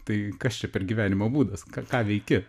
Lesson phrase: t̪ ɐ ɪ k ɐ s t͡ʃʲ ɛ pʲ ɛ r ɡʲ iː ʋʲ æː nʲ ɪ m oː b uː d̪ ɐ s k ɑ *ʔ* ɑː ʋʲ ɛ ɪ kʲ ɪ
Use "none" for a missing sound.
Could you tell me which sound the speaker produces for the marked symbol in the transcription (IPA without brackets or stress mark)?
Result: k